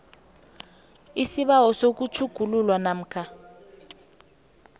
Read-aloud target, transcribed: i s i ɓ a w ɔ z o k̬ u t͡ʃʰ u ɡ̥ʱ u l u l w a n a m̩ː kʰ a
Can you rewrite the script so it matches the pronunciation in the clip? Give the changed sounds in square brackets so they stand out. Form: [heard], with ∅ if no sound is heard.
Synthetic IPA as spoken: i s i ɓ a w ɔ [s] o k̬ u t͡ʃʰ u ɡ̥ʱ u l u l w a n a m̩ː kʰ a